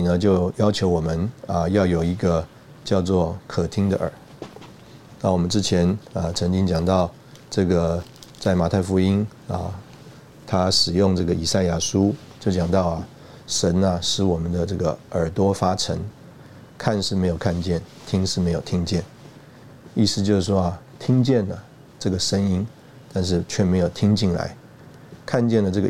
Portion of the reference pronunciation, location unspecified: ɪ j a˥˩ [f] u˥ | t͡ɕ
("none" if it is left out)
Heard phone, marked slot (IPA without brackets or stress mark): ʂ